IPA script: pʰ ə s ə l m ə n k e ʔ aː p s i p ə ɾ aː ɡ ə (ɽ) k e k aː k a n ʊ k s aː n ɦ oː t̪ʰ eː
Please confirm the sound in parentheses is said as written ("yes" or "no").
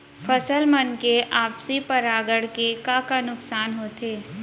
yes